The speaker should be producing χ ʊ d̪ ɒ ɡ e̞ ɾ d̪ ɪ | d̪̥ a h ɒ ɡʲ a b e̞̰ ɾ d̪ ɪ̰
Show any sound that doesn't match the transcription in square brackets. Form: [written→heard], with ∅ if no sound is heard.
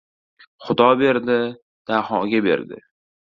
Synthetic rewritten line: χ ʊ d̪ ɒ [ɡ→b] e̞ ɾ d̪ ɪ | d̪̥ a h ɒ ɡʲ a b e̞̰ ɾ d̪ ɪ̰